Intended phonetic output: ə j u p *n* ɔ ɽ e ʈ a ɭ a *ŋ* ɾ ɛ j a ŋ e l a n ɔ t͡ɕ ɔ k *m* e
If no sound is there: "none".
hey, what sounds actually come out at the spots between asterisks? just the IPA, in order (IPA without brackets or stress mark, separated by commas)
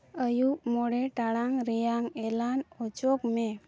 m, ŋ, m